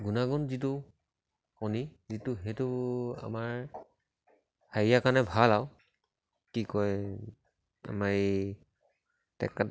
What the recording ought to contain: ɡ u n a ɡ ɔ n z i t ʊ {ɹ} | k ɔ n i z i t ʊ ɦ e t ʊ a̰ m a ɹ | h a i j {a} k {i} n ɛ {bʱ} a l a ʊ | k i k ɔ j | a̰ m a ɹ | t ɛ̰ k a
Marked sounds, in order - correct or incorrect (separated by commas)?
incorrect, correct, incorrect, correct